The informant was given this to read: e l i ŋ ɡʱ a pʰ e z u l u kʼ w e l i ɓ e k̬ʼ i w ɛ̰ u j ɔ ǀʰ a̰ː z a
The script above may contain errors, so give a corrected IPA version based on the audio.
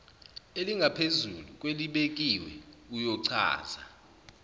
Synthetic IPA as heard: e l i ŋ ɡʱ a pʰ e z u l u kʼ w e l i ɓ e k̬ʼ i w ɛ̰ u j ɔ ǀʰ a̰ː z a